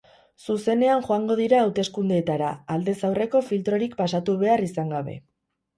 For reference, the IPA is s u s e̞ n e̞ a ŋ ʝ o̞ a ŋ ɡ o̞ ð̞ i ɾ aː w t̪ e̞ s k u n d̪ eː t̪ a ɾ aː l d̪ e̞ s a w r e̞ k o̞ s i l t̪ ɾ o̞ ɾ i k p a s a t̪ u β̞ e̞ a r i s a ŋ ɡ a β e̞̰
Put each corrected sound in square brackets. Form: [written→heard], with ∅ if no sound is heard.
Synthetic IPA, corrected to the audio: s u s e̞ n e̞ a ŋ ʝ o̞ a ŋ ɡ o̞ ð̞ i ɾ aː w t̪ e̞ s k u n d̪ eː t̪ a ɾ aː l d̪ e̞ s a w r e̞ k o̞ [s→f] i l t̪ ɾ o̞ ɾ i k p a s a t̪ u β̞ e̞ a r i s a ŋ ɡ a β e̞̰